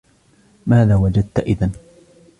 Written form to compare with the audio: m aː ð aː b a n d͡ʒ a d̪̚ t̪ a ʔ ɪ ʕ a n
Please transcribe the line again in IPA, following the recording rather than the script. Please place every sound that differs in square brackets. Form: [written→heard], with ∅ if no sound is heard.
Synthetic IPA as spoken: m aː ð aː [b→w] a [n→∅] d͡ʒ a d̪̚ t̪ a ʔ ɪ [ʕ→ð] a n